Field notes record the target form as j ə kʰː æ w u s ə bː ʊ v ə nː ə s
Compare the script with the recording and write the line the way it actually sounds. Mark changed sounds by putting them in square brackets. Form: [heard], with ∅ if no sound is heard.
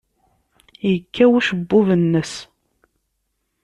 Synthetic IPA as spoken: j ə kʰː æ w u [ʃ] ə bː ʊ v ə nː ə s